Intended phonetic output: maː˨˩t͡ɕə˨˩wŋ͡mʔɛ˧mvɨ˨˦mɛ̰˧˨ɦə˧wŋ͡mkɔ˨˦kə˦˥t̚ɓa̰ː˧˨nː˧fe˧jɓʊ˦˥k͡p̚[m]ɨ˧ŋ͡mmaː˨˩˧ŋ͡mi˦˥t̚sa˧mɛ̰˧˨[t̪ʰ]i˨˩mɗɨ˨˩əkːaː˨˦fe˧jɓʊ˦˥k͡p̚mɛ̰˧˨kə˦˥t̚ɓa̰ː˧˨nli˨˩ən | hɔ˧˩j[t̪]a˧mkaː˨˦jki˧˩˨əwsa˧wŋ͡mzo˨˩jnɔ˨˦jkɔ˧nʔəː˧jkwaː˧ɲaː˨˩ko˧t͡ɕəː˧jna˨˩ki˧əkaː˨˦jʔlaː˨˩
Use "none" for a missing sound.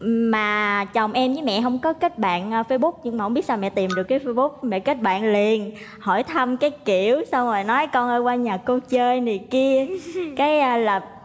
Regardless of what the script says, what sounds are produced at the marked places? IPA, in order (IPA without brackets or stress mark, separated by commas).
ɲ, t̪, t̪ʰ